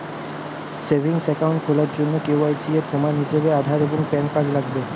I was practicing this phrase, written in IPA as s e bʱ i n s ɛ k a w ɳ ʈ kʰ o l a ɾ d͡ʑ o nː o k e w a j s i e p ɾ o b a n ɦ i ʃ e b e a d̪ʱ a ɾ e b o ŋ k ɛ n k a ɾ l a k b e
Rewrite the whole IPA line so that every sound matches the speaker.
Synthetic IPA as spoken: s e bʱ i ŋ s ɛ k a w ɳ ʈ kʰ o l a ɾ d͡ʑ o nː o k e w a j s i e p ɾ o m a n ɦ i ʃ e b e a d̪ʱ a ɾ e b o ŋ p ɛ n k a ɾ l a ɡ b e